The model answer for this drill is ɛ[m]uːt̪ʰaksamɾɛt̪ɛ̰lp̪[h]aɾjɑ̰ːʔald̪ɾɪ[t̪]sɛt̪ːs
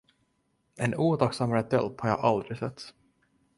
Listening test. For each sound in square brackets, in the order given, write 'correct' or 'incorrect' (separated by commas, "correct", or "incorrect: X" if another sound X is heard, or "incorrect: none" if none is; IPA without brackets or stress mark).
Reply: incorrect: n, correct, incorrect: none